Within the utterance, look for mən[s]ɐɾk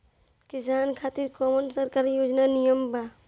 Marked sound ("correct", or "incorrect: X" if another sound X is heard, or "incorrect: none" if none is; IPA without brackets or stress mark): correct